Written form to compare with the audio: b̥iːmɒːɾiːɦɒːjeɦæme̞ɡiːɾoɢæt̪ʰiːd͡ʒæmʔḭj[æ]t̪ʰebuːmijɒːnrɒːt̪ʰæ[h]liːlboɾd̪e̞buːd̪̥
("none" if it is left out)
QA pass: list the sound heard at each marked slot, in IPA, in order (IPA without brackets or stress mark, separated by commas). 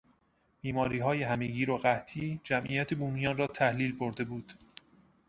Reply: æ, h